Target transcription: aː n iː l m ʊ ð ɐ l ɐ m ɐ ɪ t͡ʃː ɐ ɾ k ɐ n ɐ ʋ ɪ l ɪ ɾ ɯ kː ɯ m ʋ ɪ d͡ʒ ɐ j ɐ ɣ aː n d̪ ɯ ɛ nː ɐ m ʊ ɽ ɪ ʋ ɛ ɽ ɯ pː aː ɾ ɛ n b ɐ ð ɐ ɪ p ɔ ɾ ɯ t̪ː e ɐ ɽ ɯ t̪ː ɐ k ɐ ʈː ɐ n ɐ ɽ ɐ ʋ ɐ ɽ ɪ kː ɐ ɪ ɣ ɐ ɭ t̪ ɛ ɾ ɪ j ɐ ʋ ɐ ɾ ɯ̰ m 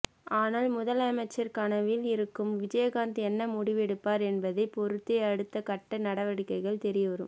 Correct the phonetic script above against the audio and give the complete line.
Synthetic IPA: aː n aː l m ʊ ð ɐ l ɐ m ɐ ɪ t͡ʃː ɐ ɾ k ɐ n ɐ ʋ ɪ l ɪ ɾ ɯ kː ɯ m ʋ ɪ d͡ʒ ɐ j ɐ ɣ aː n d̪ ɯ ɛ nː ɐ m ʊ ɽ ɪ ʋ ɛ ɽ ɯ pː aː ɾ ɛ n b ɐ ð ɐ ɪ p ɔ ɾ ɯ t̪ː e ɐ ɽ ɯ t̪ː ɐ k ɐ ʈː ɐ n ɐ ɽ ɐ ʋ ɐ ɽ ɪ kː ɐ ɪ ɣ ɐ ɭ t̪ ɛ ɾ ɪ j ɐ ʋ ɐ ɾ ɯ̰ m